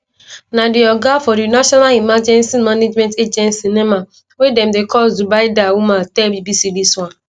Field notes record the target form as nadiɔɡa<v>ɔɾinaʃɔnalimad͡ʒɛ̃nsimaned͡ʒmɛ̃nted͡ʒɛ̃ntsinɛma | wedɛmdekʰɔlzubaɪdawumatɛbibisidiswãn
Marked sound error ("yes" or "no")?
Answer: yes